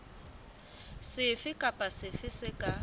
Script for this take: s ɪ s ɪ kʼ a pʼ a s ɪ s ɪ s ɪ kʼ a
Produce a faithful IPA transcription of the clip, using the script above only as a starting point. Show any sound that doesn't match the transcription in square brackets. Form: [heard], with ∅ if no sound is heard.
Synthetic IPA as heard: s ɪ [f] ɪ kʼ a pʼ a s ɪ [f] ɪ s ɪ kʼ a